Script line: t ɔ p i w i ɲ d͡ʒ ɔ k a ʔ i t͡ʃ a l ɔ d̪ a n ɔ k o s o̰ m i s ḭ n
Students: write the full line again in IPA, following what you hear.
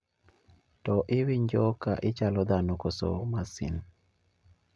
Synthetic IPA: t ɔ ʔ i w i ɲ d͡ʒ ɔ k a ʔ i t͡ʃ a l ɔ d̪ a n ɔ k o s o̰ m a s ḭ n

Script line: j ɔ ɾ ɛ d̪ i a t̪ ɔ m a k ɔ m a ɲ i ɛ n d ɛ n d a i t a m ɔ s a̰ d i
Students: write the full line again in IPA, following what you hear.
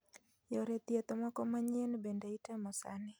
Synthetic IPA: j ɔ ɾ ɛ t̪ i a t̪ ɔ m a k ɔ m a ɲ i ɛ n b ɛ n d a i t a m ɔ s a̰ n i

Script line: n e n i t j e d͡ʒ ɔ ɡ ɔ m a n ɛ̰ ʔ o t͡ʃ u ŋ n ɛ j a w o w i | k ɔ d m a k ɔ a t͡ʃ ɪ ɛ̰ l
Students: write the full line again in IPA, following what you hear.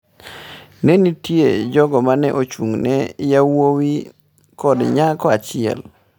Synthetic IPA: n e n i t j e d͡ʒ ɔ ɡ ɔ m a n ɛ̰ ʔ o t͡ʃ u ŋ n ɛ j a w o w i | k ɔ d ɲ a k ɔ a t͡ʃ ɪ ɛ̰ l

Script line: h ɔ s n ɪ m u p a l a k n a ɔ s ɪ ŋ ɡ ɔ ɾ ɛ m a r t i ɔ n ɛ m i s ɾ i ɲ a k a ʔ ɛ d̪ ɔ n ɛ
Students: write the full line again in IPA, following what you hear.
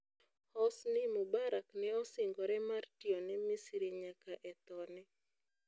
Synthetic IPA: h ɔ s n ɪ m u b a ɾ a k n ɛ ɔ s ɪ ŋ ɡ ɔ ɾ ɛ m a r t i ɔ n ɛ m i s ɾ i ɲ a k a ʔ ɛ t̪ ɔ n ɛ

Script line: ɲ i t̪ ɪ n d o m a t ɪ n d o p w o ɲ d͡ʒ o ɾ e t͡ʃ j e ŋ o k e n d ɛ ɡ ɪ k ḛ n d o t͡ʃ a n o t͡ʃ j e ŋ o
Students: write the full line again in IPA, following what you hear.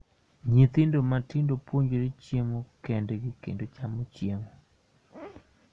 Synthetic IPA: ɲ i t̪ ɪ n d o m a t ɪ n d o p w o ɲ d͡ʒ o ɾ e t͡ʃ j e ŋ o k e n d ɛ ɡ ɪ k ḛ n d o t͡ʃ a m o t͡ʃ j e ŋ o

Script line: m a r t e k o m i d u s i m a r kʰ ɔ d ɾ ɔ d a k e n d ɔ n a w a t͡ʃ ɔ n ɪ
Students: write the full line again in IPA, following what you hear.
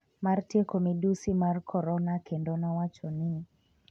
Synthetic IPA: m a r t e k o m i d u s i m a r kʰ ɔ ɾ ɔ n a k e n d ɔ n a w a t͡ʃ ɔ n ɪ

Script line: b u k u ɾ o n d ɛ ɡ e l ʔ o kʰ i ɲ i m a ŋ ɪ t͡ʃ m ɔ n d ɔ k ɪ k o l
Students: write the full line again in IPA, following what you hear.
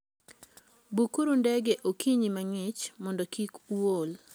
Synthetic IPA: b u k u ɾ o n d ɛ ɡ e ʔ o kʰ i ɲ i m a ŋ ɪ t͡ʃ m ɔ n d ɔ k i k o l

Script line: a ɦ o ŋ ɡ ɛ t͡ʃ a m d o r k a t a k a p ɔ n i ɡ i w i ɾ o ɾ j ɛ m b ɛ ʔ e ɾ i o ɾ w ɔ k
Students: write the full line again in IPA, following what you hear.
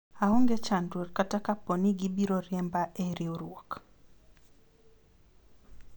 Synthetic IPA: a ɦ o ŋ ɡ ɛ t͡ʃ a n d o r k a t a k a p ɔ n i ɡ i b i ɾ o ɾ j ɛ m b a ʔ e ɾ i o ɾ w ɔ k

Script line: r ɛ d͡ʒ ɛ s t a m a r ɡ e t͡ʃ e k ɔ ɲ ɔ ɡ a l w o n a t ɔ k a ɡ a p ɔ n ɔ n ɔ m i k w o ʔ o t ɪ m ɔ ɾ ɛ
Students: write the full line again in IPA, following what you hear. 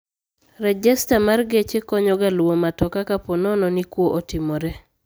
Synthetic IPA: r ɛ d͡ʒ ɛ s t a m a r ɡ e t͡ʃ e k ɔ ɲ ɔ ɡ a l w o m a t ɔ k a k a p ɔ n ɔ n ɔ n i k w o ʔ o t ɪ m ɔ ɾ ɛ

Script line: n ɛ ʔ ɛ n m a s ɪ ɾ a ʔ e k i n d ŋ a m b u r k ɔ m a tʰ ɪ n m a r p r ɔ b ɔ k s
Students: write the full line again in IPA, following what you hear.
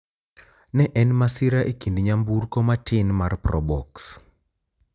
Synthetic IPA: n ɛ ʔ ɛ n m a s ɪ ɾ a ʔ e k i n d ɲ a m b u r k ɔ m a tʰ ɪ n m a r p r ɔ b ɔ k s

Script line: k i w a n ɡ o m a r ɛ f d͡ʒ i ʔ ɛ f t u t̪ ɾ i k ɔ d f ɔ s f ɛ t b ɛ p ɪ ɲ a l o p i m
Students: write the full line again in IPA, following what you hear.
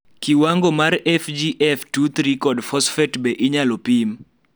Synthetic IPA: k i w a ŋ ɡ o m a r ɛ f d͡ʒ i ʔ ɛ f t u t̪ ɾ i k ɔ d f ɔ s f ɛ t b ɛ ʔ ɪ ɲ a l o p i m

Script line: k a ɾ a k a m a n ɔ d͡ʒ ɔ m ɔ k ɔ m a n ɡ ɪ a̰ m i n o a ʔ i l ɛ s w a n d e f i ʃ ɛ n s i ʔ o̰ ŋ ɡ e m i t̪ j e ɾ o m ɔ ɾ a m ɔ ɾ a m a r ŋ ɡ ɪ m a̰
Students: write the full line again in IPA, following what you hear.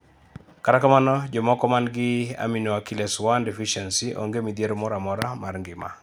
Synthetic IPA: k a ɾ a k a m a n ɔ d͡ʒ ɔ m ɔ k ɔ m a n ɡ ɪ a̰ m i n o a k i l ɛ s w a n d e f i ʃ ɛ n s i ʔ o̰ ŋ ɡ e m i d̪ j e ɾ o m ɔ ɾ a m ɔ ɾ a m a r ŋ ɡ ɪ m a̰

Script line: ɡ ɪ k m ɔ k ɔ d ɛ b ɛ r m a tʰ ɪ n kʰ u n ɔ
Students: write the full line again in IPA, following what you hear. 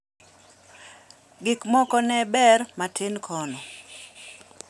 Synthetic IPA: ɡ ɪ k m ɔ k ɔ n ɛ b ɛ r m a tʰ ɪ n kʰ ɔ n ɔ

